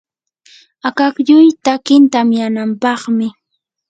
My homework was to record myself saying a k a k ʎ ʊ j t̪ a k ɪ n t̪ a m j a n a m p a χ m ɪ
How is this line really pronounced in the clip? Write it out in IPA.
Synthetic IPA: a k a k ʎ ʊ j t̪ a k ɪ n t̪ a m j a n a m p ɑ χ m ɪ

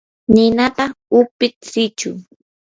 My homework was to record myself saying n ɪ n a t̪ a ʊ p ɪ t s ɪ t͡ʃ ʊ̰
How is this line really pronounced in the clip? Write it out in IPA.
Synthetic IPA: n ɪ n a t̪ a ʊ p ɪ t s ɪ t͡ʃ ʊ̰

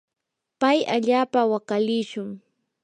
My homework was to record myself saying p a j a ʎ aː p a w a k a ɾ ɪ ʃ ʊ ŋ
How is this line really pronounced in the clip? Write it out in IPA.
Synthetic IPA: p a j a ʎ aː p a w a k a l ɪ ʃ ʊ ŋ

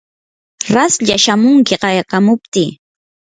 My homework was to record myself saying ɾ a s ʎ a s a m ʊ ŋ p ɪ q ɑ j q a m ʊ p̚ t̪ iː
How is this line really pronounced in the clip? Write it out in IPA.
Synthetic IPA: ɾ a s ʎ a ʃ a m ʊ ŋ k ɪ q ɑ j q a m ʊ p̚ t̪ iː

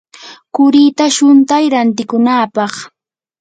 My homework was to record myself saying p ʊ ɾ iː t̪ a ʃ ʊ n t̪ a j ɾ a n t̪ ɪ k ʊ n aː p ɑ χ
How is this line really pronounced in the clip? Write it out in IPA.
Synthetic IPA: k ʊ ɾ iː t̪ a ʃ ʊ n t̪ a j ɾ a n t̪ ɪ k ʊ n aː p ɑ χ

